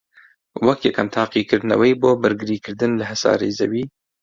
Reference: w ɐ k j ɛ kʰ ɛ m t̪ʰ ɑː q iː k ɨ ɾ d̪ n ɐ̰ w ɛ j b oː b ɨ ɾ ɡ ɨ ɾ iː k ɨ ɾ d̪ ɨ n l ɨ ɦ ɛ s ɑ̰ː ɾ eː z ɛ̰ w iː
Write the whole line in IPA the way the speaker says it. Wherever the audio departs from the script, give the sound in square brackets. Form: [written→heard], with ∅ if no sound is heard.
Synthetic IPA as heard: w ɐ k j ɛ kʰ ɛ m t̪ʰ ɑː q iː k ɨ ɾ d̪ n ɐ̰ w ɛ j b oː b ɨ ɾ ɡ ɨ ɾ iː k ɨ ɾ d̪ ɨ n l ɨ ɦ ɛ s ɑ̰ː ɾ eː z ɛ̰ w iː